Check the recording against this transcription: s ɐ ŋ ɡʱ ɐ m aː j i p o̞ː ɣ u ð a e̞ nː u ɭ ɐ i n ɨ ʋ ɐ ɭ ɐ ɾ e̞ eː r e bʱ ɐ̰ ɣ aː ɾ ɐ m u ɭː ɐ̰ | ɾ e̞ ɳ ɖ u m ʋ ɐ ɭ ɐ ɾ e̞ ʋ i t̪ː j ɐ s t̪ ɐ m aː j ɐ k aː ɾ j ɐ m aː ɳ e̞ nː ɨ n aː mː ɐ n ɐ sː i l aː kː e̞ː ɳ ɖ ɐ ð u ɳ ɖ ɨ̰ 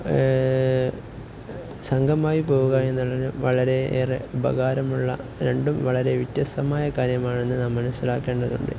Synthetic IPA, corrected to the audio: s ɐ ŋ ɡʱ ɐ m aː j i p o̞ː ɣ u ɣ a e̞ nː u ɭ ɐ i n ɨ ʋ ɐ ɭ ɐ ɾ e̞ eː r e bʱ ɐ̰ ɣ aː ɾ ɐ m u ɭː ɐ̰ | ɾ e̞ ɳ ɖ u m ʋ ɐ ɭ ɐ ɾ e̞ ʋ i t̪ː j ɐ s t̪ ɐ m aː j ɐ k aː ɾ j ɐ m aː ɳ e̞ nː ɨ n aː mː ɐ n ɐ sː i l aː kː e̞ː ɳ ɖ ɐ ð u ɳ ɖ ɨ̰